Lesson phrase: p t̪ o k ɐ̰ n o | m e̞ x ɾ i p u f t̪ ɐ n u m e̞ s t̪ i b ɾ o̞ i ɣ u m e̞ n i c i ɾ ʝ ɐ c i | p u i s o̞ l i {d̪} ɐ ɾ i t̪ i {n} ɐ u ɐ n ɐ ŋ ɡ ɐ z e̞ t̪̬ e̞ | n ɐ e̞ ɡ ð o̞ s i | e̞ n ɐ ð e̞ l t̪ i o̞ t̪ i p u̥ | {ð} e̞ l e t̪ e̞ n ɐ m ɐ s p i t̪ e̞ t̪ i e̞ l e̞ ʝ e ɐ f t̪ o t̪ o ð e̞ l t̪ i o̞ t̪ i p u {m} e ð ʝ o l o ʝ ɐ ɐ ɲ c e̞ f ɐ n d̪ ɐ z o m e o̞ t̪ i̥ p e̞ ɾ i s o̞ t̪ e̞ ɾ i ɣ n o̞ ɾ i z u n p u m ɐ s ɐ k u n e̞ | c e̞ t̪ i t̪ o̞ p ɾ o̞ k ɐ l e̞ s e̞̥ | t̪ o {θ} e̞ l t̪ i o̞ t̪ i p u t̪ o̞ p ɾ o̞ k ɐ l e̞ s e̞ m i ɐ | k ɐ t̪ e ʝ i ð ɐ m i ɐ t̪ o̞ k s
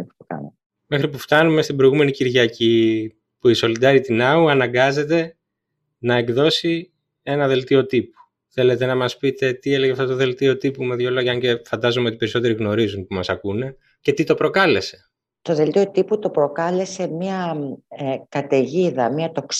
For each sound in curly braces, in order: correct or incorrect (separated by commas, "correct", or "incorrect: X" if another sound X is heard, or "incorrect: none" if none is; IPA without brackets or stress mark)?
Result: correct, correct, incorrect: θ, correct, incorrect: ð